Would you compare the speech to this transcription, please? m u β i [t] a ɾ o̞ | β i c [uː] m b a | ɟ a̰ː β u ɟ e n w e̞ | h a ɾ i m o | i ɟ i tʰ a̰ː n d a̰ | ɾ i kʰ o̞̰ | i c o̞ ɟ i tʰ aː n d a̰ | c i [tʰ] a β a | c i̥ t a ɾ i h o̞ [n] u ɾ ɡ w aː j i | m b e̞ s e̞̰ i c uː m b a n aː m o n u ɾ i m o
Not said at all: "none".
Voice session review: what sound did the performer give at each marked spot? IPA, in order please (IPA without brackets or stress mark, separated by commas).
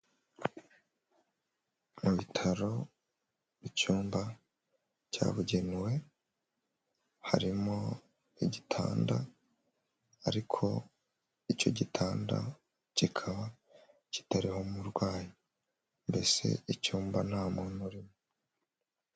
tʰ, uː, kʰ, m